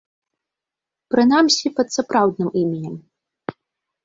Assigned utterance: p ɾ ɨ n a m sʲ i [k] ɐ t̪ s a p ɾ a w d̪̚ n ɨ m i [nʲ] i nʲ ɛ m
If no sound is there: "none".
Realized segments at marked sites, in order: p, mʲ

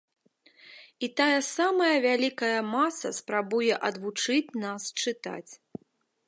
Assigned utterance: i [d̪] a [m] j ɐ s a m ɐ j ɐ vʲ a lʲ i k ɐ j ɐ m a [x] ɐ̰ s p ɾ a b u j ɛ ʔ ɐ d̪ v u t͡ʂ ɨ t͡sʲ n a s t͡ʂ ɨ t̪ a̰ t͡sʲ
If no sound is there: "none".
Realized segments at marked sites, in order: t̪, none, s

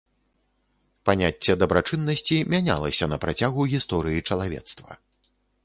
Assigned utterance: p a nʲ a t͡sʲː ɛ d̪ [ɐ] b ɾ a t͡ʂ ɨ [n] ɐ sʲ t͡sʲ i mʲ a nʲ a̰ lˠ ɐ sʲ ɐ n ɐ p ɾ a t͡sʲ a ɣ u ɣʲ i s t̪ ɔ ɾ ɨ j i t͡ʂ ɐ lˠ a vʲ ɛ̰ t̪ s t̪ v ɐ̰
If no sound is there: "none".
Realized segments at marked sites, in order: ɐ, nː

